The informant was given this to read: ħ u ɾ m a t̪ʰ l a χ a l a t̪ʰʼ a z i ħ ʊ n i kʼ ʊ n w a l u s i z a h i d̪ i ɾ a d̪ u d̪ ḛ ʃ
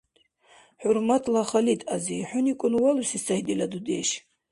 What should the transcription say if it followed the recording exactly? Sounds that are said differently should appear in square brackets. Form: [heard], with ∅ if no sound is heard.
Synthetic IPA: ħ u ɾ m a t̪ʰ l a χ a l [i] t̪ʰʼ a z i ħ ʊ n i kʼ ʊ n w a l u s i [s] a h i d̪ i [l] a d̪ u d̪ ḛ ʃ